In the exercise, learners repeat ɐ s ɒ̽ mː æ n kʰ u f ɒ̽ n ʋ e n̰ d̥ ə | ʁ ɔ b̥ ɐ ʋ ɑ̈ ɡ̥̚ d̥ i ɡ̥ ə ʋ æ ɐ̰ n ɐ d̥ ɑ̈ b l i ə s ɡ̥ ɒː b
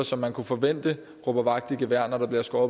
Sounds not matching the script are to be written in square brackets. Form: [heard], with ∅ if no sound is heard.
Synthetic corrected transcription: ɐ s ɒ̽ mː æ n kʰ u f ɒ̽ [∅] ʋ e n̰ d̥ ə | ʁ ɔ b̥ ɐ ʋ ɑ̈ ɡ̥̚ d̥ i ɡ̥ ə ʋ æ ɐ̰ n ɐ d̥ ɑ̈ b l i [ɐ] s ɡ̥ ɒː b